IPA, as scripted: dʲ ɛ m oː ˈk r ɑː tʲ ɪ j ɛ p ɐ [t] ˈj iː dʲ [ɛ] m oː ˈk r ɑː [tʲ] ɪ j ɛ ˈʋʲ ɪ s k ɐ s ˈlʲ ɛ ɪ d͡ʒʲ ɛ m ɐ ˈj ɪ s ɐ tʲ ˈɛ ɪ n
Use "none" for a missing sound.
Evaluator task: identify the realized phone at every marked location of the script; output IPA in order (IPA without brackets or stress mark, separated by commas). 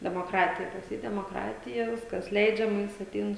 s, ɛ, tʲ